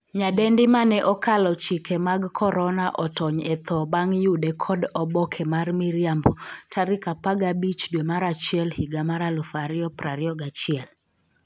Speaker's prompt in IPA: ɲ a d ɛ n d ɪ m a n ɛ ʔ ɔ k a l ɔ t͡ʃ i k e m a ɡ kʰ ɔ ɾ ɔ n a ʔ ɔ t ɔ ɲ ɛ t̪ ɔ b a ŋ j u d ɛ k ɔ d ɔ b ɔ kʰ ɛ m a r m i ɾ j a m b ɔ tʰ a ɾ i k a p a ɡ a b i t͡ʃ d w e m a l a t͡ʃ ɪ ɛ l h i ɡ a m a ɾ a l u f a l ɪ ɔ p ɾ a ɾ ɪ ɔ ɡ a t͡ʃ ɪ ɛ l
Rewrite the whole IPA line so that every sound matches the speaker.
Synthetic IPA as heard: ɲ a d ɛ n d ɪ m a n ɛ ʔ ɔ k a l ɔ t͡ʃ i k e m a ɡ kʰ ɔ ɾ ɔ n a ʔ ɔ t ɔ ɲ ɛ t̪ ɔ b a ŋ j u d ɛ kʰ ɔ d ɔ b ɔ kʰ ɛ m a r m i ɾ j a m b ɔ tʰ a ɾ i k a p a ɡ a b i t͡ʃ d w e m a ɾ a t͡ʃ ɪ ɛ l h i ɡ a m a ɾ a l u f a ɾ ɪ ɔ p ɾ a ɾ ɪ ɔ ɡ a t͡ʃ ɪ ɛ l